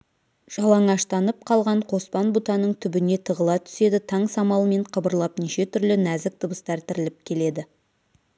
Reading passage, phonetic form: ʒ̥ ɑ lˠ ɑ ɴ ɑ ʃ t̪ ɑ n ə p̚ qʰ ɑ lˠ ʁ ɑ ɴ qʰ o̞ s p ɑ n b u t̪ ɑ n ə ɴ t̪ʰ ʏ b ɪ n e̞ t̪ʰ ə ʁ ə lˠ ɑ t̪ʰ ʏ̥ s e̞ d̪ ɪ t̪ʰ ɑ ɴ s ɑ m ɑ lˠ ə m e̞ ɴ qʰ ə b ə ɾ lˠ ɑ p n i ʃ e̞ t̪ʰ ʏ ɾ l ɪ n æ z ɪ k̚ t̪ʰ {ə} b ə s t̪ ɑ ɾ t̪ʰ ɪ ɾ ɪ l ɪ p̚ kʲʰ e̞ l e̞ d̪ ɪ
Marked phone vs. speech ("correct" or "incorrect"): correct